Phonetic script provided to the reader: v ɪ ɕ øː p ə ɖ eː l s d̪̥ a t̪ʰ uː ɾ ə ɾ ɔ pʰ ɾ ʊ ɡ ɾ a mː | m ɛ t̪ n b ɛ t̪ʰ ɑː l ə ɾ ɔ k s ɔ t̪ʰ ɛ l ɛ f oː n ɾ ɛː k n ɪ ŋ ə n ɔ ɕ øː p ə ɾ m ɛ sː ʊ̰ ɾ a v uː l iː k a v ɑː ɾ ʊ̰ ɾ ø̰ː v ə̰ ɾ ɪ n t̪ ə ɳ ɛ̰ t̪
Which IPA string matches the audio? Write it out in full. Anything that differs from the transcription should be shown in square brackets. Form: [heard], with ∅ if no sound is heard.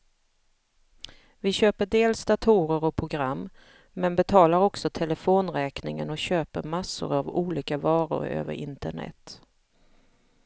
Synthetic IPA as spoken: v ɪ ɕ øː p ə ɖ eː l s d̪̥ a t̪ʰ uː ɾ ə ɾ ɔ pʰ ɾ ʊ ɡ ɾ a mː | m ɛ [∅] n b ɛ t̪ʰ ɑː l [a] ɾ ɔ k s ɔ t̪ʰ ɛ l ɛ f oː n ɾ ɛː k n ɪ ŋ ə n ɔ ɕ øː p ə ɾ m [a] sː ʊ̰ ɾ a v uː l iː k a v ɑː ɾ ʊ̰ ɾ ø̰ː v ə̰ ɾ ɪ n t̪ ə ɳ ɛ̰ t̪

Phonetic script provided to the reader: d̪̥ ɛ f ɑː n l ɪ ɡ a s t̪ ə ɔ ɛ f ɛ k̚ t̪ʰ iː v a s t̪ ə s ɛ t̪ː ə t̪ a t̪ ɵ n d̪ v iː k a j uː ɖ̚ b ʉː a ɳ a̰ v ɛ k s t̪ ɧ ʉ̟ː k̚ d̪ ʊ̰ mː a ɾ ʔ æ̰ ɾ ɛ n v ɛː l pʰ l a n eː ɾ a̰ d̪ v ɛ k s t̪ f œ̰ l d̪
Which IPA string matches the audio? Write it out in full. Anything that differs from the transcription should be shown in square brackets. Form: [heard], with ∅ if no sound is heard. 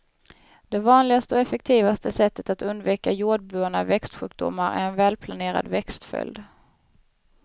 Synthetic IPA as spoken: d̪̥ ɛ [v] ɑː n l ɪ ɡ a s t̪ ə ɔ ɛ f ɛ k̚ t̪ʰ iː v a s t̪ ə s ɛ t̪ː ə t̪ a t̪ ɵ n d̪ v iː k a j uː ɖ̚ b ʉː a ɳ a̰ v ɛ k s t̪ ɧ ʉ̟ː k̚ d̪ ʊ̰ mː a ɾ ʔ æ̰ ɾ ɛ n v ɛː l pʰ l a n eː ɾ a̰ d̪ v ɛ k s t̪ f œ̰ l d̪

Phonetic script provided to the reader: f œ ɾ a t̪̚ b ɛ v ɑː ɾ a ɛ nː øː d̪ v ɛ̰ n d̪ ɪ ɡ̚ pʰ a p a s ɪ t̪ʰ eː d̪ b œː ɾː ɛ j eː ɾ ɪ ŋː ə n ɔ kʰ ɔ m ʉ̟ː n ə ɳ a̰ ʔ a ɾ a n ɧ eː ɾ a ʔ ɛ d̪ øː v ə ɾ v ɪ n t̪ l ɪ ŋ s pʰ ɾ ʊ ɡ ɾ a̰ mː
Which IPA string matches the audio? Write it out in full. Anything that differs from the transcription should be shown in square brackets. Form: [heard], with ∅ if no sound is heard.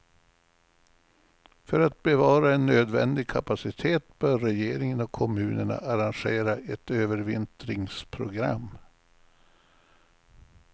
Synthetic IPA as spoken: f œ ɾ a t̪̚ b ɛ v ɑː ɾ a ɛ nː øː d̪ v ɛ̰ n d̪ ɪ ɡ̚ [kʰ] a p a s ɪ t̪ʰ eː [t̪] b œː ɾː ɛ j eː ɾ ɪ [ŋ] ə n ɔ kʰ ɔ m ʉ̟ː n ə ɳ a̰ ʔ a ɾ a n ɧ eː ɾ a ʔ ɛ [t̪] øː v ə ɾ v ɪ n t̪ [ɾ] ɪ ŋ s pʰ ɾ ʊ ɡ ɾ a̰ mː

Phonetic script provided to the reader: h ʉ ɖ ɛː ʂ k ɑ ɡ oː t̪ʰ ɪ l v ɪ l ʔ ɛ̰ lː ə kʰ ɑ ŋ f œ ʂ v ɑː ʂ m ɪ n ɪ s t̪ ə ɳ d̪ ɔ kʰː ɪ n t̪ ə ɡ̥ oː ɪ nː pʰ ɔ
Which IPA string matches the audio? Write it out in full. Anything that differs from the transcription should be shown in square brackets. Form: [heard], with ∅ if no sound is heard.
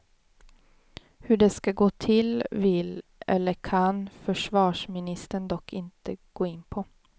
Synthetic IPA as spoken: h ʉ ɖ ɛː [s] k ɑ ɡ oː t̪ʰ ɪ l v ɪ l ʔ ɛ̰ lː ə kʰ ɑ [n] f œ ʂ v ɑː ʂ m ɪ n ɪ s t̪ ə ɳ d̪ ɔ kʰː ɪ n t̪ ə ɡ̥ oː ɪ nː pʰ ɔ

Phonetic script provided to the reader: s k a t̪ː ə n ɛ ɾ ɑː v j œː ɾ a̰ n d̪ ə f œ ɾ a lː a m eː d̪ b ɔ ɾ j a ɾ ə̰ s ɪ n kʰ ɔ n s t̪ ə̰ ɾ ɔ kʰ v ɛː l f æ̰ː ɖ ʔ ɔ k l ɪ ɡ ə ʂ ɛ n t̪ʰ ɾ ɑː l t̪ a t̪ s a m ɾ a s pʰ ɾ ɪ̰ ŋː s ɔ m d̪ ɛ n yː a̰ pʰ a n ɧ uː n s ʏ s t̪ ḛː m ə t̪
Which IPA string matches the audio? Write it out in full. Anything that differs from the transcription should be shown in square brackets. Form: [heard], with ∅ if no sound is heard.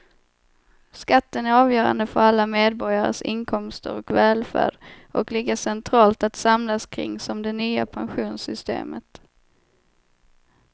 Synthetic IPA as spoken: s k a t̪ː ə n [æ] ɾ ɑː v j œː ɾ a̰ n d̪ ə f œ ɾ a lː a m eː d̪ b ɔ ɾ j a ɾ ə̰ s ɪ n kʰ ɔ [m] s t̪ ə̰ ɾ ɔ [k] v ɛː l f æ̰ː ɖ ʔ ɔ k l ɪ ɡ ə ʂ ɛ n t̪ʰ ɾ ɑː l t̪ a t̪ s a m [l] a s [kʰ] ɾ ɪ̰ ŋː s ɔ m d̪ ɛ n yː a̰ pʰ a n ɧ uː n s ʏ s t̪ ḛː m ə t̪

